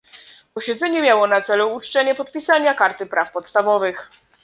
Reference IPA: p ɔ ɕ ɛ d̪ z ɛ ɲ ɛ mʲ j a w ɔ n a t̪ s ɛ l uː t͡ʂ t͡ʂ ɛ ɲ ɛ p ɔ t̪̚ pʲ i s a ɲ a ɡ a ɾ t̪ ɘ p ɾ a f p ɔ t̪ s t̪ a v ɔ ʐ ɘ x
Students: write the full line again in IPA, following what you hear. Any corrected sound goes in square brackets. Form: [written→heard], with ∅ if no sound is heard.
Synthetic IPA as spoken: p ɔ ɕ ɛ d̪ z ɛ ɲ ɛ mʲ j a w ɔ n a t̪ s ɛ l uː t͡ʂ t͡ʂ ɛ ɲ ɛ p ɔ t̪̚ pʲ i s a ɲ a [ɡ→k] a ɾ t̪ ɘ p ɾ a f p ɔ t̪ s t̪ a v ɔ [ʐ→v] ɘ x